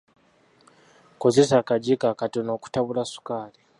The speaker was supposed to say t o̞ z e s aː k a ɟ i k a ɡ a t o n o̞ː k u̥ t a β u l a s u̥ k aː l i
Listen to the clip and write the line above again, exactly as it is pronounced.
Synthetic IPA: k o̞ z e s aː k a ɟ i k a k a t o n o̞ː k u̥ t a β u l a s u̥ k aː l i

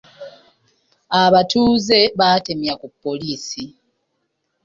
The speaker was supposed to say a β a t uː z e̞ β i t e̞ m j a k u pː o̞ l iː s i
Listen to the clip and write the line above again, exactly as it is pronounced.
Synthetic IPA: a β a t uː z e̞ β a t e̞ m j a k u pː o̞ l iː s i

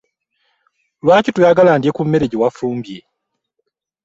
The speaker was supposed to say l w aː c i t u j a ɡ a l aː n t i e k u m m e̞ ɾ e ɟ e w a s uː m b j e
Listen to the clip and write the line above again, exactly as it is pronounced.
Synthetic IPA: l w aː c i t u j a ɡ a l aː n d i e k u m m e̞ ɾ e ɟ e w a f uː m b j e

